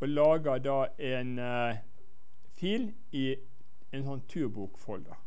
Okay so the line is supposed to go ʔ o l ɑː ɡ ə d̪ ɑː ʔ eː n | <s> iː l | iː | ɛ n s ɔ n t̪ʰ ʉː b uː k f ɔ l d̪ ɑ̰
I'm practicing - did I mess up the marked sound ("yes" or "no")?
yes